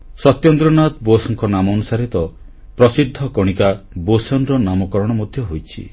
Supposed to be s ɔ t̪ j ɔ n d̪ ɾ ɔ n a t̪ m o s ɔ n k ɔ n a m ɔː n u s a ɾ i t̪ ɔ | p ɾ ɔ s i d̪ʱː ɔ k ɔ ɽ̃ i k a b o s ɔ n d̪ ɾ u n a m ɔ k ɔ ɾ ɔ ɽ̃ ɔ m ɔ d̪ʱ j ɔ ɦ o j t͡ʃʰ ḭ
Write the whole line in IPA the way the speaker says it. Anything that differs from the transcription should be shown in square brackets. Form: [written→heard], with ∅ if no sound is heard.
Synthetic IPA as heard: s ɔ t̪ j ɔ n d̪ ɾ ɔ n a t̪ [m→b] o s ɔ [n→ŋ] k ɔ n a m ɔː n u s a ɾ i t̪ ɔ | p ɾ ɔ s i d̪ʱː ɔ k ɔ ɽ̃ i k a b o s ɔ n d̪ ɾ [u→ɔ] n a m ɔ k ɔ ɾ ɔ ɽ̃ ɔ m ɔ d̪ʱ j ɔ ɦ o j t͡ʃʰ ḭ